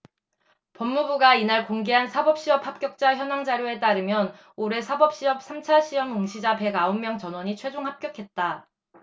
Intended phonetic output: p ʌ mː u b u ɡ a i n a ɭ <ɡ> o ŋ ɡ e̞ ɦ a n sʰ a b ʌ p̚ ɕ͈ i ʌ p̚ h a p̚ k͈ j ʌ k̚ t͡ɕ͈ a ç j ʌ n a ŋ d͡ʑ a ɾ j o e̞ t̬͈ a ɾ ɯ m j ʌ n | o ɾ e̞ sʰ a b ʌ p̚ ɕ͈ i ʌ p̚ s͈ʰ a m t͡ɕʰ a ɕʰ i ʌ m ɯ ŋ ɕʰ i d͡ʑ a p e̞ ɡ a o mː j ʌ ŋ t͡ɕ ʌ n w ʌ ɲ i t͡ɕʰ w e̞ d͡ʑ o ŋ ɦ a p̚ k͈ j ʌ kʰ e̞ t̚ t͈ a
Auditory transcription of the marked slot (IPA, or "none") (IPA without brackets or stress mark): k